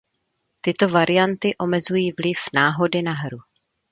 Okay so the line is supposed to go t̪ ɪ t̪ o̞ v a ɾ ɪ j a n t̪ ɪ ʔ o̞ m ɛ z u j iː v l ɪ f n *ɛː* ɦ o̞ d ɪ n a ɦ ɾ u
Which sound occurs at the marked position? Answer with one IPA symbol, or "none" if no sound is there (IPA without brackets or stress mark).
aː